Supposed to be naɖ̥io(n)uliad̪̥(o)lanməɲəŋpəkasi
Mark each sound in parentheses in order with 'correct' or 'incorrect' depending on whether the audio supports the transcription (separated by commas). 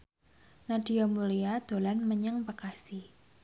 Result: incorrect, correct